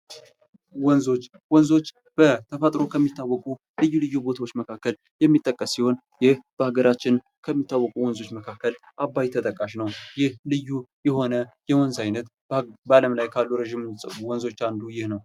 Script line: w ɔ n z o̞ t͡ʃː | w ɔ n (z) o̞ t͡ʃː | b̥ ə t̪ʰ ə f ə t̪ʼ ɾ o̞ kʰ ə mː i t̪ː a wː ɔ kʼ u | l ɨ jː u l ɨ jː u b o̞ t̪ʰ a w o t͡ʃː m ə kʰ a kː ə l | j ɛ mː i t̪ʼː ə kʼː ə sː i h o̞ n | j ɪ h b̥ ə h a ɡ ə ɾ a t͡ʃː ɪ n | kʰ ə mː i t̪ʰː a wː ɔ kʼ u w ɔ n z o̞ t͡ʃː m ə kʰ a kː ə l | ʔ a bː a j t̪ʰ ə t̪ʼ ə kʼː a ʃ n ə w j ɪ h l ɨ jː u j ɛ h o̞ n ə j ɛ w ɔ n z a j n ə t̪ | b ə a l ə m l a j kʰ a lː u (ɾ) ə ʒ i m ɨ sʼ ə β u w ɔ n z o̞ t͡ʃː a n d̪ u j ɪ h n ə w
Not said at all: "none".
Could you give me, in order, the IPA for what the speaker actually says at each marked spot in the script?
z, ɾ

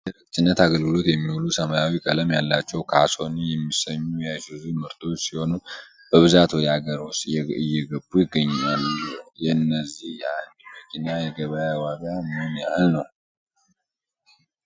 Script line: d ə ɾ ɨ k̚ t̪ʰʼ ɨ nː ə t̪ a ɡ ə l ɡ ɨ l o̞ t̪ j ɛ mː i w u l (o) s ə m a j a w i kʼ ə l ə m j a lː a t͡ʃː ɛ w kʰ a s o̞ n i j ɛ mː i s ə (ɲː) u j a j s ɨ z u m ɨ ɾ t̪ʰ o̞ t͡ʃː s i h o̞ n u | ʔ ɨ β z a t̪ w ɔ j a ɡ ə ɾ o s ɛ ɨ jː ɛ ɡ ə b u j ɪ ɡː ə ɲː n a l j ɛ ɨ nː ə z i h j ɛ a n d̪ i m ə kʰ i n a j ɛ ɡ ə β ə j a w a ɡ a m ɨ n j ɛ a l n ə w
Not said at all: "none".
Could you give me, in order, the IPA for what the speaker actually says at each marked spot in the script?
u, ɲː

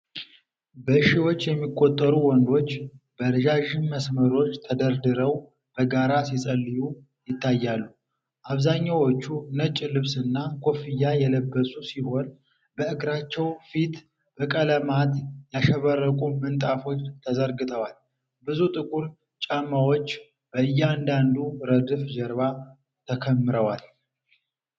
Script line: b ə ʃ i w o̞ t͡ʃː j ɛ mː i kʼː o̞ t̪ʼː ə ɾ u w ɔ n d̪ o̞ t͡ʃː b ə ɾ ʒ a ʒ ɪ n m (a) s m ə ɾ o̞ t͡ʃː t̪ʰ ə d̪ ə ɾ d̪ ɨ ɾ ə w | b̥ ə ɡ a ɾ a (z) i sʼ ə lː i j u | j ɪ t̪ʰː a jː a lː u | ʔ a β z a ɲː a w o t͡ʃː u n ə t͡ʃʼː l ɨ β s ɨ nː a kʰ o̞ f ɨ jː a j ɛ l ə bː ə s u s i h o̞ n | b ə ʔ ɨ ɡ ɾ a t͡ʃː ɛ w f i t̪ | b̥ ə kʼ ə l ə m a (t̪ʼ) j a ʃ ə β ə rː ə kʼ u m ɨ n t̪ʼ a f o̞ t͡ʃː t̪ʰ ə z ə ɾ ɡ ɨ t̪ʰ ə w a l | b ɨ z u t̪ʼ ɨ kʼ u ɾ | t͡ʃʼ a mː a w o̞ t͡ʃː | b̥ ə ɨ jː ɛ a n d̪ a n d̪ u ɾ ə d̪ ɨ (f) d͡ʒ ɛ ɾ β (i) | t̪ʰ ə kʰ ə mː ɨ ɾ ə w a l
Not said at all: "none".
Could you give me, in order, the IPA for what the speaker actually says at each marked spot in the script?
ə, s, t̪, f, a

